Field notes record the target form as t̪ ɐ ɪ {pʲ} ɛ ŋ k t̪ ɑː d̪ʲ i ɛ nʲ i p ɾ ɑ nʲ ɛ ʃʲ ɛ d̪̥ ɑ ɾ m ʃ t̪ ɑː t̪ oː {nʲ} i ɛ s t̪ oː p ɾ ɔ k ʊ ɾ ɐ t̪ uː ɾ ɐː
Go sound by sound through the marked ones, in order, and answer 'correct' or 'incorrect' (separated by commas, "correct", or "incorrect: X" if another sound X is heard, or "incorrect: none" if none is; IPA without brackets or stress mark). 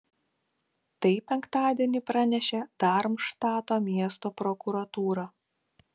correct, incorrect: mʲ